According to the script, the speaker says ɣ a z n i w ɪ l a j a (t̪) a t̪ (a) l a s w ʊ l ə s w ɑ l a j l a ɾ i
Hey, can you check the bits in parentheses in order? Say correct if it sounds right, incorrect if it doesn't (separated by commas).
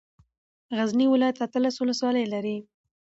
correct, incorrect